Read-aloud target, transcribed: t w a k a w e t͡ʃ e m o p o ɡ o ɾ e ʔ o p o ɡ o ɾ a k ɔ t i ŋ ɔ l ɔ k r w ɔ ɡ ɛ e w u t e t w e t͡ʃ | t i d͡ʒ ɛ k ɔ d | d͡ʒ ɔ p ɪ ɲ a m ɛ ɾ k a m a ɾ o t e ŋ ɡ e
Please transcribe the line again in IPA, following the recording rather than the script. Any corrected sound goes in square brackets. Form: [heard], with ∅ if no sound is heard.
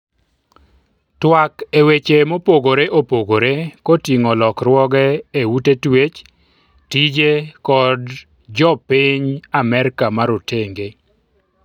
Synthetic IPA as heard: t w a k [e] w e t͡ʃ e m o p o ɡ o ɾ e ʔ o p o ɡ o ɾ [e] k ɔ t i ŋ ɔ l ɔ k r w ɔ ɡ ɛ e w u t e t w e t͡ʃ | t i d͡ʒ [e] k ɔ d | d͡ʒ ɔ p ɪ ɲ a m ɛ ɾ k a m a ɾ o t e ŋ ɡ e